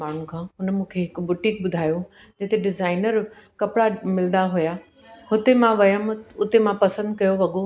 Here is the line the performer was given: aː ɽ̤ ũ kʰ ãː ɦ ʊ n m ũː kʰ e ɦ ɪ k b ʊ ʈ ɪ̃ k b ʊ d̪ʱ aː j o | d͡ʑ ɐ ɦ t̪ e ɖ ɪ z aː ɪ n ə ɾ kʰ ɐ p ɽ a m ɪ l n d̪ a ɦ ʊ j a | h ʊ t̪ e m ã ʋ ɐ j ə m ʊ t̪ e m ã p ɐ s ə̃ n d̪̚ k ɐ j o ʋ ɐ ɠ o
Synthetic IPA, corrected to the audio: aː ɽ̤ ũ kʰ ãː ɦ ʊ n m ũː kʰ e ɦ ɪ k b ʊ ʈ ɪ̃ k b ʊ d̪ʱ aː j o | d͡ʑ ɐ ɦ t̪ e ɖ ɪ z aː ɪ n ə ɾ k ɐ p ɽ a m ɪ l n d̪ a ɦ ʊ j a | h ʊ t̪ e m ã ʋ ɐ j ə m ʊ t̪ e m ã p ɐ s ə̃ n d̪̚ k ɐ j o ʋ ɐ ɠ o